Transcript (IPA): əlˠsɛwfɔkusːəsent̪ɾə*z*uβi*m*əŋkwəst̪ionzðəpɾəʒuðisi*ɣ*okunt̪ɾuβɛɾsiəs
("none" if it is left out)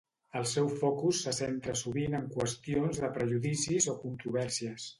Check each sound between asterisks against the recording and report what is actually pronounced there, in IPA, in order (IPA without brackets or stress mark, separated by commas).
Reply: s, n, z